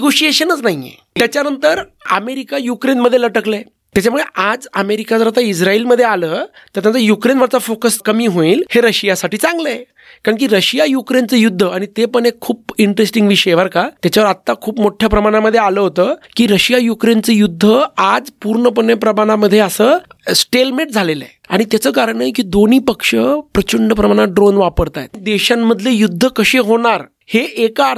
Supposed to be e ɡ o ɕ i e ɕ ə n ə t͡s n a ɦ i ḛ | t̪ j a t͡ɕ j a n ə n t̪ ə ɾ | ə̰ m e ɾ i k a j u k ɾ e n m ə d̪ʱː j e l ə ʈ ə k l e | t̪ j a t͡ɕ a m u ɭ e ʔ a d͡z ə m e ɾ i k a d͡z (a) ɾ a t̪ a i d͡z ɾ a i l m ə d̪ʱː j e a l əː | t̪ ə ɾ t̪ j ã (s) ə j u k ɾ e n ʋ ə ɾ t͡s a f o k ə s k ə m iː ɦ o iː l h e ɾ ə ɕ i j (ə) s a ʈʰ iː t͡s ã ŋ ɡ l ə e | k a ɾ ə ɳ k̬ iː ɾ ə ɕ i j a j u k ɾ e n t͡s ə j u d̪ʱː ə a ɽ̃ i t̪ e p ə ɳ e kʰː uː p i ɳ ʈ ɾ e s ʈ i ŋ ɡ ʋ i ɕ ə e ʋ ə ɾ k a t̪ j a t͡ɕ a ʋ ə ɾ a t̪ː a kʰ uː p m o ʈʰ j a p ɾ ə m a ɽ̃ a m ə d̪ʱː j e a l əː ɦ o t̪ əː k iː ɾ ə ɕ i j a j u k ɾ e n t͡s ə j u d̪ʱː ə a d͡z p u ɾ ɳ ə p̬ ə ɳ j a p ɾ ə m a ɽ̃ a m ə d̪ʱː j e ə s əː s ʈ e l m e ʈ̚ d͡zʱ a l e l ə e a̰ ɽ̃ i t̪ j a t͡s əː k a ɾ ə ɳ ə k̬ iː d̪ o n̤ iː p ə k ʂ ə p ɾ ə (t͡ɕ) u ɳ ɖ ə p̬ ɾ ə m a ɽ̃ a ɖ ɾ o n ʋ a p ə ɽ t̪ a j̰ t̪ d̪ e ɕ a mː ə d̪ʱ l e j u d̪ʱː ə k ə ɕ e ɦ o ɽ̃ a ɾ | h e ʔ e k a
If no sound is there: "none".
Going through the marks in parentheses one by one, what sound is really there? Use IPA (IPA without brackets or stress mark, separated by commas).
ə, t͡s, a, t͡ɕ